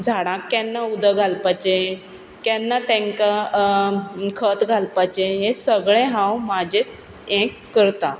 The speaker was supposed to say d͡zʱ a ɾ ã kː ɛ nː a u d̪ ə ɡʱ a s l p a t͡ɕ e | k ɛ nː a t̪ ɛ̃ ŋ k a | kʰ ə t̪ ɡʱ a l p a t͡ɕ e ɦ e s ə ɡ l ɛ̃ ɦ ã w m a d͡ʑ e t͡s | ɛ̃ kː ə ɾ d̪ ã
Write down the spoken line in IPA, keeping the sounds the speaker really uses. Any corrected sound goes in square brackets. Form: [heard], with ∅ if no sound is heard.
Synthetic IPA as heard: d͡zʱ a [ɽ] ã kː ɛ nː a u d̪ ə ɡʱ a [∅] l p a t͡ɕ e | k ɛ nː a t̪ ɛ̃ ŋ k a | kʰ ə t̪ ɡʱ a l p a t͡ɕ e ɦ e s ə ɡ [ɭ] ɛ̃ ɦ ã w m a d͡ʑ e t͡s | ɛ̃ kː ə ɾ [t̪] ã